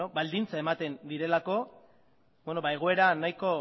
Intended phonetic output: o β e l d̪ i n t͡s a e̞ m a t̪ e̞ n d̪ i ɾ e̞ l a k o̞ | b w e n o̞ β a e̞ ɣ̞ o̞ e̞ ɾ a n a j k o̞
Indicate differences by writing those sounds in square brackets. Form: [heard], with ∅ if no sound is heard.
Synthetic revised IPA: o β [a] l d̪ i n t͡s a e̞ m a t̪ e̞ n d̪ i ɾ e̞ l a k o̞ | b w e n o̞ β a e̞ ɣ̞ o̞ e̞ ɾ a n a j k o̞